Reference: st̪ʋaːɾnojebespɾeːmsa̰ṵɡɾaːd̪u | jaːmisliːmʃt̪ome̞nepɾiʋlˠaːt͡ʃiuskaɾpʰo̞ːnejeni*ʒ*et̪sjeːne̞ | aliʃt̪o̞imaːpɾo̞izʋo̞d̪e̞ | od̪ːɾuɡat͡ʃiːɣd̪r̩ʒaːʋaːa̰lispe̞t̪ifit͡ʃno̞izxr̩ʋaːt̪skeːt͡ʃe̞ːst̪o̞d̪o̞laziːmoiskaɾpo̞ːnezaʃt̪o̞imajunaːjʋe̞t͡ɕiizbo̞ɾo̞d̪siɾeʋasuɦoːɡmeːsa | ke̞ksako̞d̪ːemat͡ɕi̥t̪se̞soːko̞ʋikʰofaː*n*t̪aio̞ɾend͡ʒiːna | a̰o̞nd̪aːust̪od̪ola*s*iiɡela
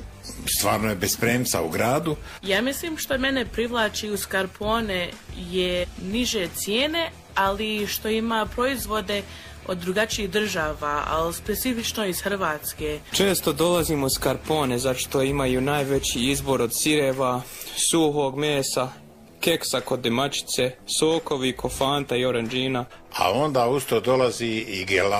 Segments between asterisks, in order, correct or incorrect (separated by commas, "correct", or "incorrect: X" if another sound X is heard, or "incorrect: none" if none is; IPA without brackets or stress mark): correct, correct, incorrect: z